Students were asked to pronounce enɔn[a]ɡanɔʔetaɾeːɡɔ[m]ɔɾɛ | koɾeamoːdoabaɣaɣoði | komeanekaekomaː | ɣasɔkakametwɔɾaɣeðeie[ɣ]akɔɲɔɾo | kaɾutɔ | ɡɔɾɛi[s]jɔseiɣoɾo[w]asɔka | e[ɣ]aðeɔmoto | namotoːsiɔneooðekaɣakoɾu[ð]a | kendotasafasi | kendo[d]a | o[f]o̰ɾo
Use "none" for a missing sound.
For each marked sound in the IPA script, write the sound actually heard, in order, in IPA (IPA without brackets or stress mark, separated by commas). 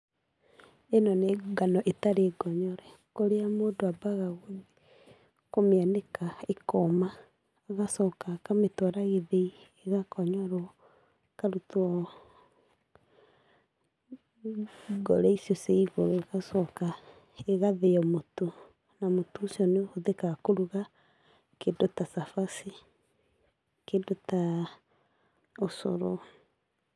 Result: e, ɲ, ɣ, s, ɣ, ɣ, ɣ, t, s